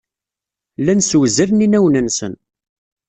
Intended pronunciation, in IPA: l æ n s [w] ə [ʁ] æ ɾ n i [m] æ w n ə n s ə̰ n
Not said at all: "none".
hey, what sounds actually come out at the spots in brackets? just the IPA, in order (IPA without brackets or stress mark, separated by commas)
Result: w, z, n